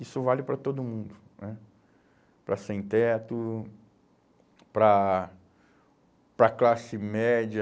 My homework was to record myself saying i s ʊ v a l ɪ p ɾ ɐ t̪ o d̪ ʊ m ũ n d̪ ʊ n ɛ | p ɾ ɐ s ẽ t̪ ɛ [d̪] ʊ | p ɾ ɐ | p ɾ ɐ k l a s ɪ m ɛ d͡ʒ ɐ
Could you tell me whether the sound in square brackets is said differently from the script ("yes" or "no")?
yes